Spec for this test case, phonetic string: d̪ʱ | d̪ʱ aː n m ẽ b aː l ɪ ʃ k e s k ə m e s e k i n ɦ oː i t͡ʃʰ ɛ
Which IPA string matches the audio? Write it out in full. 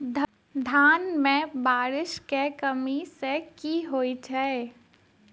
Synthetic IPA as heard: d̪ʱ | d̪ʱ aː n m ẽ b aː ɾ ɪ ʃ k e k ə m i s e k i ɦ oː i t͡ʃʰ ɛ